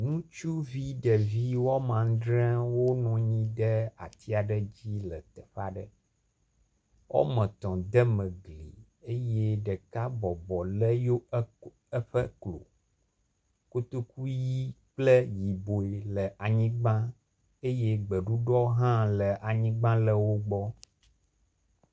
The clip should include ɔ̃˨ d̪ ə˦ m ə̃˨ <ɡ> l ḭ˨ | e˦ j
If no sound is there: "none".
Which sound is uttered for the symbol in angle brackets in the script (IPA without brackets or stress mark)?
ɡ